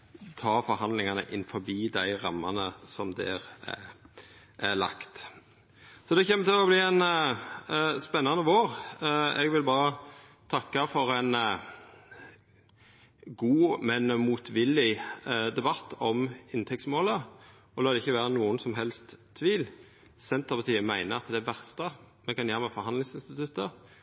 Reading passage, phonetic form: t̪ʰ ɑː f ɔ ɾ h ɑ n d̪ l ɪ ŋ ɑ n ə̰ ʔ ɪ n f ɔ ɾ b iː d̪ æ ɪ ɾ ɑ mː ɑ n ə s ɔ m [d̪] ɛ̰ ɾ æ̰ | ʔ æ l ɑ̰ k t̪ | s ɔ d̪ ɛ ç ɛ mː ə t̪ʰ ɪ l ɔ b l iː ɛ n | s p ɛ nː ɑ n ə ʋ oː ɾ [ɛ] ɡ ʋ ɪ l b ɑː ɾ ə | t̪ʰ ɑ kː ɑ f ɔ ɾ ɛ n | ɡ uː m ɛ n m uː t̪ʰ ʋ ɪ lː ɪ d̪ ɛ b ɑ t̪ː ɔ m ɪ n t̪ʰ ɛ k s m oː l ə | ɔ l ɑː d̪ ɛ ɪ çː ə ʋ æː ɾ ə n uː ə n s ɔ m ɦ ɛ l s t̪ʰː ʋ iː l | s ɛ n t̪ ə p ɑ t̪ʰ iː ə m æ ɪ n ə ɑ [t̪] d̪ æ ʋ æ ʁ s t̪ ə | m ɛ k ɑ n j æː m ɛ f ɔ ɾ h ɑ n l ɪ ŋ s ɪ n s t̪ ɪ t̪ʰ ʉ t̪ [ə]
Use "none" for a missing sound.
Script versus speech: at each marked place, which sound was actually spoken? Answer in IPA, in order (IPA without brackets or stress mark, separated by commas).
d̪, ɛ, t̪, ə